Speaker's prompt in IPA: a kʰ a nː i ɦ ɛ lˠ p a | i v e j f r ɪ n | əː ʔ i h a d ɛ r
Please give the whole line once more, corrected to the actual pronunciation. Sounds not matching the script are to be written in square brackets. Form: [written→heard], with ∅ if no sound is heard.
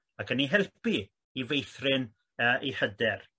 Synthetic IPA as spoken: a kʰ [a→ə] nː i ɦ ɛ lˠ p [a→i] | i v e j [f→θ] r ɪ n | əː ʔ i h [a→ə] d ɛ r